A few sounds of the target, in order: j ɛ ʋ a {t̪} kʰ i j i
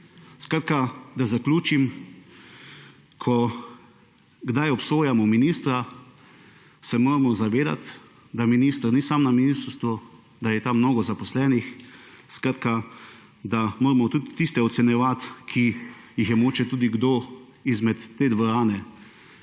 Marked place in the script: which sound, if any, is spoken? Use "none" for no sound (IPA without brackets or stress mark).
t̪